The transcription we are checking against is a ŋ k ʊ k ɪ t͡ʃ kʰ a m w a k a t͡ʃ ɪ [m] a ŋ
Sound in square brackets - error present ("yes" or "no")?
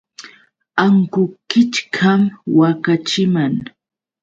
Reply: no